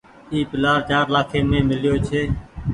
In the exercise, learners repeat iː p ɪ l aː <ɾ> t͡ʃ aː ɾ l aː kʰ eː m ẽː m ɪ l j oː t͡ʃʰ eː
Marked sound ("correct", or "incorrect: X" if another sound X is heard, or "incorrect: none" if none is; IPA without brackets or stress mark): correct